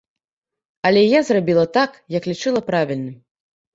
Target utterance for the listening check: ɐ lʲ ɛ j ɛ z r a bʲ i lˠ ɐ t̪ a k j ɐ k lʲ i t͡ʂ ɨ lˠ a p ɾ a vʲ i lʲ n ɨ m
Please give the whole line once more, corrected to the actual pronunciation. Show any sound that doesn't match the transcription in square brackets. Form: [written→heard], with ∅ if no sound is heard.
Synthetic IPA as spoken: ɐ lʲ ɛ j [ɛ→a] z r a bʲ i lˠ ɐ t̪ a k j ɐ k lʲ i t͡ʂ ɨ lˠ [a→ɐ] p ɾ a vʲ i lʲ n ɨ m